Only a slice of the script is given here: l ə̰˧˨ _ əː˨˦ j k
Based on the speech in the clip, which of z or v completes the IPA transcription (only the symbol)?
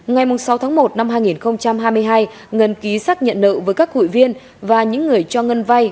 v